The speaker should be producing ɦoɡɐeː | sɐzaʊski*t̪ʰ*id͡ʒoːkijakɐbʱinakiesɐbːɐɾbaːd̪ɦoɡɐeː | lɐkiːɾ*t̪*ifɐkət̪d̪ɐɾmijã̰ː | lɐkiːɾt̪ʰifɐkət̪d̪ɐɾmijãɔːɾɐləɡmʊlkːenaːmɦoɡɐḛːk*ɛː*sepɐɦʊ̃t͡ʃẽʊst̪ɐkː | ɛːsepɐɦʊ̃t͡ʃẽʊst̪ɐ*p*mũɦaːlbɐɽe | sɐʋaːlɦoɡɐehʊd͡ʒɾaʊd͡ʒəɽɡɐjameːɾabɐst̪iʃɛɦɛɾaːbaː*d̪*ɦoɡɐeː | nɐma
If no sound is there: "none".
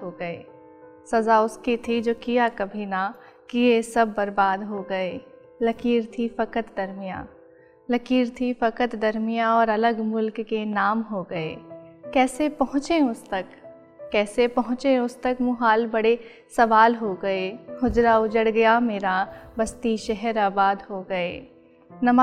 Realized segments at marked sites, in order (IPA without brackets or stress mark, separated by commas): t̪ʰ, t̪ʰ, ɛː, k, d̪